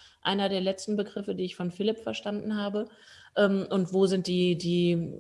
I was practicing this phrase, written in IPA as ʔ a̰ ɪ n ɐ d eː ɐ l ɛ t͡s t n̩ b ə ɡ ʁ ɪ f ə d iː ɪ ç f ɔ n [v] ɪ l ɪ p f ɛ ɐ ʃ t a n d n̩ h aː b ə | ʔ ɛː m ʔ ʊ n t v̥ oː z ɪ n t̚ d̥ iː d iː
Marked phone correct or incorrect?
incorrect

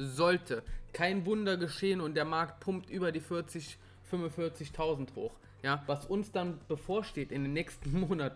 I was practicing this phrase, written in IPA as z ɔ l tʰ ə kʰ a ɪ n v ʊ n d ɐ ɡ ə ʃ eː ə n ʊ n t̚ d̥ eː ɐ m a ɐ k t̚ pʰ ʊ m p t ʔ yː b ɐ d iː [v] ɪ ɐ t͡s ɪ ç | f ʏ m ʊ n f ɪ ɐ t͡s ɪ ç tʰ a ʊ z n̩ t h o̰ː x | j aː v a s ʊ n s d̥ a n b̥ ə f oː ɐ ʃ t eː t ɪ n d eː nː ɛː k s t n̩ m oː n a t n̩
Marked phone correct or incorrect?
incorrect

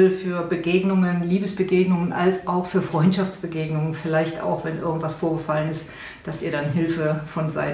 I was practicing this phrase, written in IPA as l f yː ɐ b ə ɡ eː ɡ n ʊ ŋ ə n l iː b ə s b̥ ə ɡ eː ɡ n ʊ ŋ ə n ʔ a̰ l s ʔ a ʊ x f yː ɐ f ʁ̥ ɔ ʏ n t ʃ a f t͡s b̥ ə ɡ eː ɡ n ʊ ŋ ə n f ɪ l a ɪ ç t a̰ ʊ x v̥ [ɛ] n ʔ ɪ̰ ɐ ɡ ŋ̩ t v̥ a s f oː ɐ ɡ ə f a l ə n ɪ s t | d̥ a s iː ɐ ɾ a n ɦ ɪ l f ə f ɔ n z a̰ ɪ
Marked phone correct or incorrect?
correct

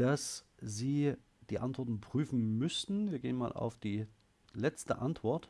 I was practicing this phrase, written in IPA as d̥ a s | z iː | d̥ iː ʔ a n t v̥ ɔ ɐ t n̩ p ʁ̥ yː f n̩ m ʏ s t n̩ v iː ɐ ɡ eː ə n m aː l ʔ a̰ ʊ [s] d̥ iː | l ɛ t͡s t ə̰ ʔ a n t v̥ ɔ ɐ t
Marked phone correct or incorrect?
incorrect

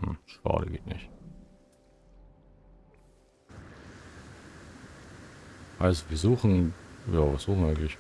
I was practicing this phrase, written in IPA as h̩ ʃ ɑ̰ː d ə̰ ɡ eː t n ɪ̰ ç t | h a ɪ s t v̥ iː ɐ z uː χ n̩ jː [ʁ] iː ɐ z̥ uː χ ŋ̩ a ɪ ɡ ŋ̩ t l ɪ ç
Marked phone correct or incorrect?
incorrect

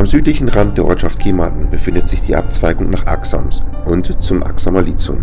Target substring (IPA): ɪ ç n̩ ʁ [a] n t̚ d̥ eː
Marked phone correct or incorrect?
correct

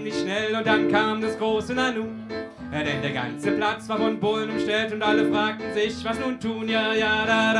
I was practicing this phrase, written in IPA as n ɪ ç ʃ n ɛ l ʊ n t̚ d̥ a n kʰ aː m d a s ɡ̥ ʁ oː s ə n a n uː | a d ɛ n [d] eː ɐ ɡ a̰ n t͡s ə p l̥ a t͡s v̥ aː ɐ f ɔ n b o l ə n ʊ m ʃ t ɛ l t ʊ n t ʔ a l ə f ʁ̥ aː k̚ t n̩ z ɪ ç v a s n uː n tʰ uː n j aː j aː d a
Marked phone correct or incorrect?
correct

